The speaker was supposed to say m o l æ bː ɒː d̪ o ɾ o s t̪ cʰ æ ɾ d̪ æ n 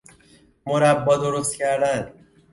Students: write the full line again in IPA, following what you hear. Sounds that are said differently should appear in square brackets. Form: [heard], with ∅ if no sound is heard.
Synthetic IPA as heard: m o [ɾ] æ bː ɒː d̪ o ɾ o s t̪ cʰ æ ɾ d̪ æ n